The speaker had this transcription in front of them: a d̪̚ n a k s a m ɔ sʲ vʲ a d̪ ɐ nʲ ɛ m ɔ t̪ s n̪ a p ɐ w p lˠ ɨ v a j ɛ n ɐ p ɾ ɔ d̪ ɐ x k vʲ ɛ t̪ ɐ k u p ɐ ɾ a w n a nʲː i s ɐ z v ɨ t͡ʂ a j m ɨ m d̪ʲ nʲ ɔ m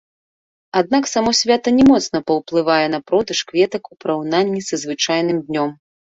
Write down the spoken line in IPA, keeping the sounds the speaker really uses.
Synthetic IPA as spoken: a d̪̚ n a k s a m ɔ sʲ vʲ a t̪ ɐ nʲ ɛ m ɔ t̪ s n̪ ɐ p ɐ w p lˠ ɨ v a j ɛ n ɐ p ɾ ɔ d̪ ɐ ʂ k vʲ ɛ t̪ ɐ k u p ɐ ɾ a w n a nʲː i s ɐ z v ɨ t͡ʂ a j n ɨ m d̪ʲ nʲ ɔ m

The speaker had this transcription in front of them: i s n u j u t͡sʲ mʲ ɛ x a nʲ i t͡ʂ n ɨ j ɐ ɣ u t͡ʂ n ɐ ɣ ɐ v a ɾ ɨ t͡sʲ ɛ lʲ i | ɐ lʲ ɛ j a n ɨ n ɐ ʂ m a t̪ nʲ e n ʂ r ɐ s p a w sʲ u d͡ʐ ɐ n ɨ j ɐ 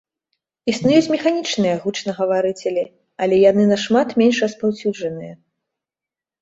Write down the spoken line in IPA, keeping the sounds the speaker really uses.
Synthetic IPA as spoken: i s n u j u t͡sʲ mʲ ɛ x a nʲ i t͡ʂ n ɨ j ɐ ɣ u t͡ʂ n ɐ ɣ ɐ v a ɾ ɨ t͡sʲ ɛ lʲ i | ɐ lʲ ɛ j a n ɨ n ɐ ʂ m a t̪ mʲ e n ʂ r ɐ s p a w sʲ u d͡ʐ ɐ n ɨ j ɐ

